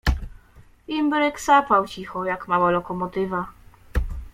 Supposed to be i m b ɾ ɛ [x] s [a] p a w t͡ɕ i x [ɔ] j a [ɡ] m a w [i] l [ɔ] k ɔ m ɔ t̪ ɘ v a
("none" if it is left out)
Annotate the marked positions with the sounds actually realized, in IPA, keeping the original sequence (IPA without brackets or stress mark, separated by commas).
k, a, ɔ, k, a, ɔ